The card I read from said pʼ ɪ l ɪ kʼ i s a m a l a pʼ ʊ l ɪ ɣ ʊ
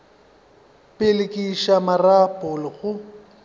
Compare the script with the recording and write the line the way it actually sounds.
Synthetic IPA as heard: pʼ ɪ l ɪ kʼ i ʃ a m a r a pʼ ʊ l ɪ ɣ ʊ